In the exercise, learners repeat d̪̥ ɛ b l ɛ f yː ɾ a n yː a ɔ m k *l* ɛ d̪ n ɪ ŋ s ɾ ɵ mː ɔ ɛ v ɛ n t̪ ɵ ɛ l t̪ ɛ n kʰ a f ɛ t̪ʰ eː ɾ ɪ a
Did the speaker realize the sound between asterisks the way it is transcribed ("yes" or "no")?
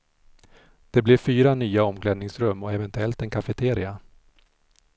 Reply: yes